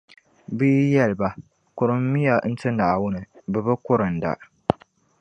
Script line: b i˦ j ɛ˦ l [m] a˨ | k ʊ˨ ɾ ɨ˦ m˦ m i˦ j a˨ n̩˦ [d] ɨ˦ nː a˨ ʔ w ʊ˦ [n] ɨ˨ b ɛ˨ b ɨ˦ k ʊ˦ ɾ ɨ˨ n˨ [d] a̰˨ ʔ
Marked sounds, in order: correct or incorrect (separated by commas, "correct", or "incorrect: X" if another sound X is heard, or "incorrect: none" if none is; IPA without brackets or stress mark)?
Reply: incorrect: b, incorrect: t, correct, correct